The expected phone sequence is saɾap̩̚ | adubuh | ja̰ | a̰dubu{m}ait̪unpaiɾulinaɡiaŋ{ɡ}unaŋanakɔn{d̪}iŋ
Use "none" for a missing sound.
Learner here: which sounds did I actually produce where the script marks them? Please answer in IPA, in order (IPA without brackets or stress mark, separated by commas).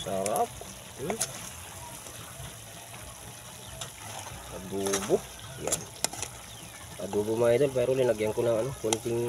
m, k, t̪